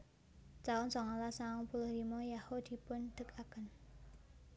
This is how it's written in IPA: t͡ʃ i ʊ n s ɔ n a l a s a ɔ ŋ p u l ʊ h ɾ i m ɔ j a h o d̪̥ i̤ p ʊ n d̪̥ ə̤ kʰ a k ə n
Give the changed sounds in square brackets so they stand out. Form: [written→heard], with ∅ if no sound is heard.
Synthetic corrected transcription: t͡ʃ [i→a] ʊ n s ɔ [n→ŋ] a l a s a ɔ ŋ p u l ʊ h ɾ i m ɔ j a h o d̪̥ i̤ p ʊ n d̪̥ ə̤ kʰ a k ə n